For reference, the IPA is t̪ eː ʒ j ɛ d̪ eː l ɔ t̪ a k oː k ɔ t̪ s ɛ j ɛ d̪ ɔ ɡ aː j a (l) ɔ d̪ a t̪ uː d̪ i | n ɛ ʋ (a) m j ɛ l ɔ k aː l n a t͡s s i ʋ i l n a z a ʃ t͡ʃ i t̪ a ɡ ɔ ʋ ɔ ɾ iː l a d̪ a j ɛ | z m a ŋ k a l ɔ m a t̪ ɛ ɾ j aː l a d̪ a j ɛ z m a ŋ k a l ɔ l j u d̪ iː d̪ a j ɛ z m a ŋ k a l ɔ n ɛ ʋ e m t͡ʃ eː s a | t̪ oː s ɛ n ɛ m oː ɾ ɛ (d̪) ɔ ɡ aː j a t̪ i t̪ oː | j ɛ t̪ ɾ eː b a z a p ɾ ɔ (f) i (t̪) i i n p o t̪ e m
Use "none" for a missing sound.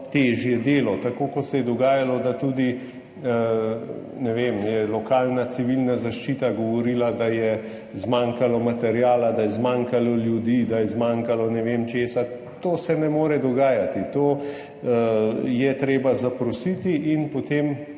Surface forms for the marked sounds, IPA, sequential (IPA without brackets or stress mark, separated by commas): l, e, d̪, s, t̪